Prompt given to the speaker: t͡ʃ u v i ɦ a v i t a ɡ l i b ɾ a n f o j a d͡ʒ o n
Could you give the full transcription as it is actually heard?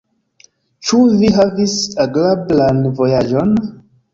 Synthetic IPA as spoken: t͡ʃ u v i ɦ a v i s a ɡ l a b l a n v o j a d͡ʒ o n